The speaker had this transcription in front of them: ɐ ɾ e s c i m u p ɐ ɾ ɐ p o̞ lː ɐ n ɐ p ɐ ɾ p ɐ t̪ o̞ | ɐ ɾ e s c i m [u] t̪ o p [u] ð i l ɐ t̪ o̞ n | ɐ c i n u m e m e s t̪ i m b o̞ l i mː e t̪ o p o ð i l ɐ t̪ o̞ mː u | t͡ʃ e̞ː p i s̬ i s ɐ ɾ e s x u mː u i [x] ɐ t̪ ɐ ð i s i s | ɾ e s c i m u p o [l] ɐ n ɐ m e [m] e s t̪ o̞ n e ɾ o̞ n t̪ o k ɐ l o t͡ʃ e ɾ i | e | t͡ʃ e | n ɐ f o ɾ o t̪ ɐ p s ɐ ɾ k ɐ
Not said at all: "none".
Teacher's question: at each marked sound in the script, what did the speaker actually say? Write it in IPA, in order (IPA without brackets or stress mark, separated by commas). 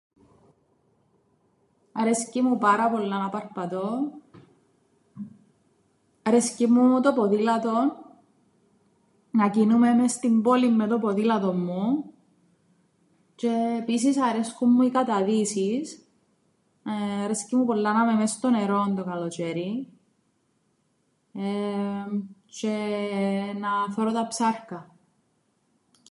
u, o, k, lː, m